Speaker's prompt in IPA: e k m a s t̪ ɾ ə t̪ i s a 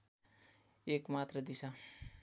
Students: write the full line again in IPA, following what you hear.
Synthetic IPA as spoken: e k m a t̪ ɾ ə d̪ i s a